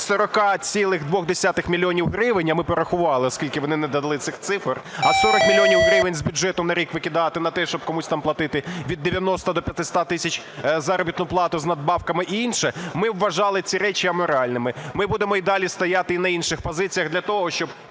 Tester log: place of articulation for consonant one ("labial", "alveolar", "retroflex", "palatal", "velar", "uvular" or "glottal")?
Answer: alveolar